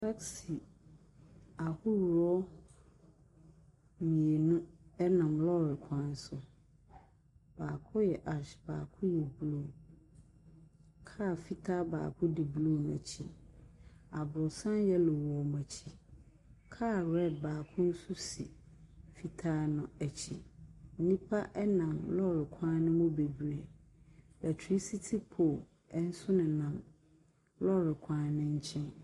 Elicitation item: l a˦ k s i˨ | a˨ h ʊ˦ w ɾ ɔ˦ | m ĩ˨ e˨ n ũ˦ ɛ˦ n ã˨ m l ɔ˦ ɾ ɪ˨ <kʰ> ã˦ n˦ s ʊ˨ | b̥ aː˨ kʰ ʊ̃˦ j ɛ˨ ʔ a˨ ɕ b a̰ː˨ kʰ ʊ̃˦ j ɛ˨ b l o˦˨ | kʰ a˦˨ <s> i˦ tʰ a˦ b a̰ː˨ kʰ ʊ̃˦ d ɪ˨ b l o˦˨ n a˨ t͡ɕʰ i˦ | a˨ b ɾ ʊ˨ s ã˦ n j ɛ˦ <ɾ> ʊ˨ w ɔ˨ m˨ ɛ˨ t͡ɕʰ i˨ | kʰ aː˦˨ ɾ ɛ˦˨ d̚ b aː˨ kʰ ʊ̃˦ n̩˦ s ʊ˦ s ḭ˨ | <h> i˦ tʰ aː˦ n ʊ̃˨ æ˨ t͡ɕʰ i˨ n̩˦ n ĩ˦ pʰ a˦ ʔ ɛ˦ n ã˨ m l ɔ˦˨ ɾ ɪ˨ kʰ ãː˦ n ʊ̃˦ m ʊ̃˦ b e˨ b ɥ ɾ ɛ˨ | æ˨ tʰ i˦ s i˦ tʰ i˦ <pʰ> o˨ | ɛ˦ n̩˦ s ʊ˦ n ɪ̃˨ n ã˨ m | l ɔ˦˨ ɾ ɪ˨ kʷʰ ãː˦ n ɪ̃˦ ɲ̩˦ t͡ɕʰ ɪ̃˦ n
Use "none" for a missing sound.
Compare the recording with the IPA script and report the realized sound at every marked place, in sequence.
kʰ, f, l, f, pʰ

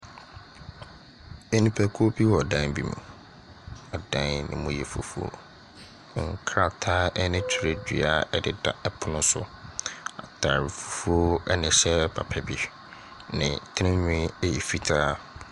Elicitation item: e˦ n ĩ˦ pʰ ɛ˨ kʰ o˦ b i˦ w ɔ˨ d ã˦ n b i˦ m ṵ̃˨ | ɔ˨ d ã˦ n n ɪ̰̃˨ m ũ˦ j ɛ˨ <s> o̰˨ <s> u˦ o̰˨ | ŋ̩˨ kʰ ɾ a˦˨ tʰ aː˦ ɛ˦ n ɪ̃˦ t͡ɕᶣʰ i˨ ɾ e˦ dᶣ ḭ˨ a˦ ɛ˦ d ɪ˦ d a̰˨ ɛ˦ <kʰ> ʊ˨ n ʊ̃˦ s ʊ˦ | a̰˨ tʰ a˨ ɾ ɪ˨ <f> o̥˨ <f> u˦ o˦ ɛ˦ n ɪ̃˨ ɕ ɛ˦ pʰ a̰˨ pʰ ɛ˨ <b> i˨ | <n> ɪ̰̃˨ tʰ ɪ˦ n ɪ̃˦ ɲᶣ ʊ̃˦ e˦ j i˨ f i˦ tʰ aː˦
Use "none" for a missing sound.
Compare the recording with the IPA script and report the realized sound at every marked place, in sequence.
f, f, pʰ, f, f, b, n

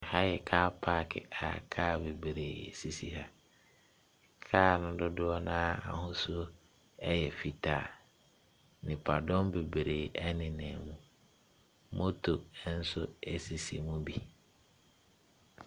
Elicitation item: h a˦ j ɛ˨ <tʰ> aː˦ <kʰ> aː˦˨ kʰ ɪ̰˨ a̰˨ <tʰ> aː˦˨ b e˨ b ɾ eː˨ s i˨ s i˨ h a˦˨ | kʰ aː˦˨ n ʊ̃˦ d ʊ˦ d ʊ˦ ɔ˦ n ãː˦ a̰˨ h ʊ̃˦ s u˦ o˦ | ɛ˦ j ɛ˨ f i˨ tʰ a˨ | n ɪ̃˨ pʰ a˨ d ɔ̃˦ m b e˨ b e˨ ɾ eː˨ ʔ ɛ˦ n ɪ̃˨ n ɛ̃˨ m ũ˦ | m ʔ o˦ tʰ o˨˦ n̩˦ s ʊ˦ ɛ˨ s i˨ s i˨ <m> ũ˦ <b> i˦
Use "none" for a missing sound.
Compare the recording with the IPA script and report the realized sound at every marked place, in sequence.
kʰ, pʰ, kʰ, m, b

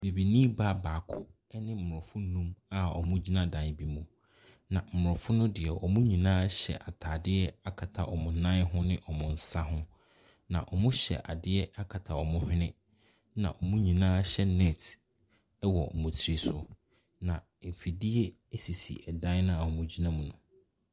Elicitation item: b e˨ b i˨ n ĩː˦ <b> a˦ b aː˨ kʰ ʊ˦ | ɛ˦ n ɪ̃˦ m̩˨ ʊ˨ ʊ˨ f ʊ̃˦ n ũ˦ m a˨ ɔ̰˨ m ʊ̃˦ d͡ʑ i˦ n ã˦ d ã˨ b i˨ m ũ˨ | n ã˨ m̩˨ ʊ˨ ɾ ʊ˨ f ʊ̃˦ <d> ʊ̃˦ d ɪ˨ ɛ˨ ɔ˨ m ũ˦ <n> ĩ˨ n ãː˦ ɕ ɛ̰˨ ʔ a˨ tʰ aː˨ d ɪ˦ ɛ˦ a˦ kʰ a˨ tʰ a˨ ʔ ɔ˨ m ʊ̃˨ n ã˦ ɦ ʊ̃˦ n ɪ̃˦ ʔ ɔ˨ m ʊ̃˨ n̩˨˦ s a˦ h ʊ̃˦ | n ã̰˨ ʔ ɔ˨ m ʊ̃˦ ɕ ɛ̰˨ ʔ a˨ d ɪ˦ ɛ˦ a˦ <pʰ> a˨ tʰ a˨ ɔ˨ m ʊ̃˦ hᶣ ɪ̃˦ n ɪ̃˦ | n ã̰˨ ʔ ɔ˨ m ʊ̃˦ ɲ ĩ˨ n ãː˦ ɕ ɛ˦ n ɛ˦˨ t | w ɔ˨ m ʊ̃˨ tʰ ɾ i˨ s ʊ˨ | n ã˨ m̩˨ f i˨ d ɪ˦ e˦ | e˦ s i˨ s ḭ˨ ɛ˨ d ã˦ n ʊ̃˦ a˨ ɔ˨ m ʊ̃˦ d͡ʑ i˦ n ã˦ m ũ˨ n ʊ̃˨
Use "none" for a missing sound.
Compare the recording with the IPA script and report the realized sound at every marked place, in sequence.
b, n, ɲ, kʰ

